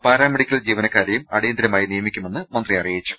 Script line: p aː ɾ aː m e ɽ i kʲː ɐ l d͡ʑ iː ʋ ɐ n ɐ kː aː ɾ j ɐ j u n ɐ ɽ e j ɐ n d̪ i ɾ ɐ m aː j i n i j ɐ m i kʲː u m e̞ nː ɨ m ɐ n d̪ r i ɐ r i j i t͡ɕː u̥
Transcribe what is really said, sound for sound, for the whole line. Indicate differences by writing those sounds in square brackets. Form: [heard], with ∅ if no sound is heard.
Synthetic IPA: p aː ɾ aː m e ɽ i kʲː ɐ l d͡ʑ iː ʋ ɐ n ɐ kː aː ɾ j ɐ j u [m] ɐ ɽ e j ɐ n d̪ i ɾ ɐ m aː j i n i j ɐ m i kʲː u m e̞ nː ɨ m ɐ n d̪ r i ɐ r i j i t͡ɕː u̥